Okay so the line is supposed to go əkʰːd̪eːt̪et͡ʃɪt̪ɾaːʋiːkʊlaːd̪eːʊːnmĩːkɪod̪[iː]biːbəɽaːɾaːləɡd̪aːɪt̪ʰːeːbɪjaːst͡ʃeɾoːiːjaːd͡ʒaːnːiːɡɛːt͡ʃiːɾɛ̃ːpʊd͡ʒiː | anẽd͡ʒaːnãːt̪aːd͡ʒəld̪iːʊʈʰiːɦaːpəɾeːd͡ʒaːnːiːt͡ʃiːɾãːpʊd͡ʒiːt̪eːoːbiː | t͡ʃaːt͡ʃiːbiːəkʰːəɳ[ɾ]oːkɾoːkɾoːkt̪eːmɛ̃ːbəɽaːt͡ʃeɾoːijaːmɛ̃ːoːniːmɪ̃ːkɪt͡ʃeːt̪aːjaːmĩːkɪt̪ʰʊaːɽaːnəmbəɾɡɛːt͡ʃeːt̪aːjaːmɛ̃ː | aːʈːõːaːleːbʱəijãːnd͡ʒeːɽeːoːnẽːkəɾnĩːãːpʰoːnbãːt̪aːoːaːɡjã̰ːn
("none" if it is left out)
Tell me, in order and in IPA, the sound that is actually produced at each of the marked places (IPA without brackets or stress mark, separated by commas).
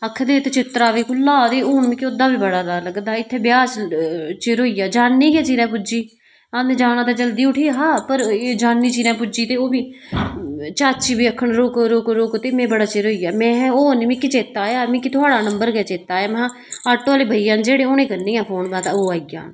aː, ɾ